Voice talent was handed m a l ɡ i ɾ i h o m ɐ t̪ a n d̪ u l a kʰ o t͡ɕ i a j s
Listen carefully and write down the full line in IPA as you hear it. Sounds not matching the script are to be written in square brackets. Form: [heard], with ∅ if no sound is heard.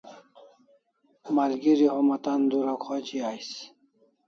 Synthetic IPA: m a l ɡ i ɾ i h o m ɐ t̪ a n d̪ u [ɾ] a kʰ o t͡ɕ i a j s